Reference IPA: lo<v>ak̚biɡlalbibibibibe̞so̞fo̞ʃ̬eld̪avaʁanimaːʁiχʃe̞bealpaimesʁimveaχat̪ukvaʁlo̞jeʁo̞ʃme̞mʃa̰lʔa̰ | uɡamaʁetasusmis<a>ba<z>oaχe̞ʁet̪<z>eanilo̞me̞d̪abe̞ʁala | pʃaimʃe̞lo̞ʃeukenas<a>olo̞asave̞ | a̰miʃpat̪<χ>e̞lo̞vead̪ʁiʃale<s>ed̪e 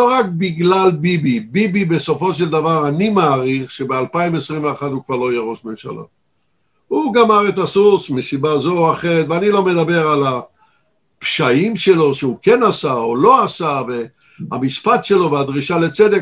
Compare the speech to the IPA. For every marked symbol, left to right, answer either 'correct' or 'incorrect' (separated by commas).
incorrect, incorrect, correct, incorrect, correct, incorrect, incorrect